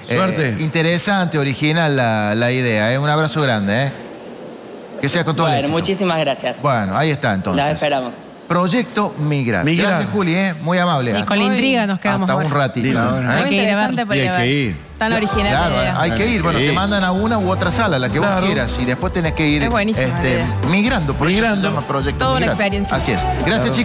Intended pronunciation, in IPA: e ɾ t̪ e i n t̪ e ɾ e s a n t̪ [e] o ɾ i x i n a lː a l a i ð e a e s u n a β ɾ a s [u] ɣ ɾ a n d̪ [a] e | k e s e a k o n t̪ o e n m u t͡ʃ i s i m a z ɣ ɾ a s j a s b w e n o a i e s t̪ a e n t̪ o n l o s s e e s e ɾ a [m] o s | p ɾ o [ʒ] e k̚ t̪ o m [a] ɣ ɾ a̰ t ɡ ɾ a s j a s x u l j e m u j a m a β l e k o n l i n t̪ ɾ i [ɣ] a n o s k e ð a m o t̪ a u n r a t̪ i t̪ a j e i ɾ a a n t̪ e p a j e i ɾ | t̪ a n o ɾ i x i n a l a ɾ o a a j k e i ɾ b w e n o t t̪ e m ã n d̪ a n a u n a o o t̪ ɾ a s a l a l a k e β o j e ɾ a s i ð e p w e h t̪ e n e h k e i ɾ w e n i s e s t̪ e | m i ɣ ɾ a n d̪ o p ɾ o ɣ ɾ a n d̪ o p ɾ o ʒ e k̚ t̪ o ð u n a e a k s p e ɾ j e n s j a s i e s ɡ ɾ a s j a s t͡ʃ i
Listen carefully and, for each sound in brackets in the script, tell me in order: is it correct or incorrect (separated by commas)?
correct, incorrect, incorrect, correct, correct, incorrect, correct